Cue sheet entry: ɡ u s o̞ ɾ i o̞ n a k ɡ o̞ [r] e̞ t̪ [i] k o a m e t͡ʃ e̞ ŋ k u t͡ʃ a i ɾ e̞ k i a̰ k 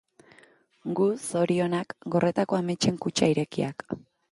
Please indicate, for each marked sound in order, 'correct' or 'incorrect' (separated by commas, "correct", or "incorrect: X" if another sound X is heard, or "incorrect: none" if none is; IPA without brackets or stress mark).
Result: correct, incorrect: a